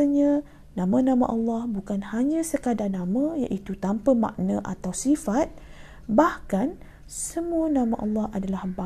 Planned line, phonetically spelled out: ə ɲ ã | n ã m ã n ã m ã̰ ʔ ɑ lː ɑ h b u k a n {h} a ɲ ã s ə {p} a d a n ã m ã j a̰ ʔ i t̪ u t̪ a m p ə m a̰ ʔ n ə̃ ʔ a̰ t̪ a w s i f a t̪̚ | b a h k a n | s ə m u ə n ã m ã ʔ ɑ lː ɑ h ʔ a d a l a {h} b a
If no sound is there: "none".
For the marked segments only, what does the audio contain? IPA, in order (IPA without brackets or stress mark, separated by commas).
h, k, h